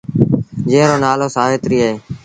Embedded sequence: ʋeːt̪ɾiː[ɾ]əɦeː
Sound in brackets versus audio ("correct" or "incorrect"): incorrect